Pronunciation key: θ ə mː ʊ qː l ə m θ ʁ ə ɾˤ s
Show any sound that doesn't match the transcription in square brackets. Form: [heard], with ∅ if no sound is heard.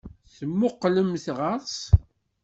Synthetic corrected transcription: θ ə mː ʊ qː l ə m θ ʁ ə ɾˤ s